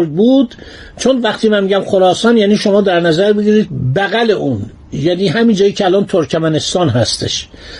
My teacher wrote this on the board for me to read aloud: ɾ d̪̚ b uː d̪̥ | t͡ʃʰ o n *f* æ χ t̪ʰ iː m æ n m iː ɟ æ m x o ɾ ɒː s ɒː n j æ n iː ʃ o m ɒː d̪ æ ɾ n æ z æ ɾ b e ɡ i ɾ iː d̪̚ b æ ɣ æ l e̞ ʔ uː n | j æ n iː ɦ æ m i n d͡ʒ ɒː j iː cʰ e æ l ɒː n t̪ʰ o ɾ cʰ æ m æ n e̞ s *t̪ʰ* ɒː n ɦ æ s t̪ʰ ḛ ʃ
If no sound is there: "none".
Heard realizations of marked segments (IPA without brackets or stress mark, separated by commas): v, t̪